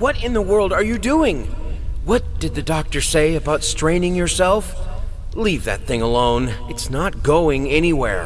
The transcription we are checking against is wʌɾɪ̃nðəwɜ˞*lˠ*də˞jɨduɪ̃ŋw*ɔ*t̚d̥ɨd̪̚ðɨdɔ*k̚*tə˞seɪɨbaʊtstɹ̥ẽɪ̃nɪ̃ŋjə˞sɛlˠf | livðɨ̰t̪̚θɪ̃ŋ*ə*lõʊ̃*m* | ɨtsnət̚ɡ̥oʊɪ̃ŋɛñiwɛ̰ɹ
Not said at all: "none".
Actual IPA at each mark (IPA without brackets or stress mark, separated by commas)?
lˠ, ʌ, k̚, ə, n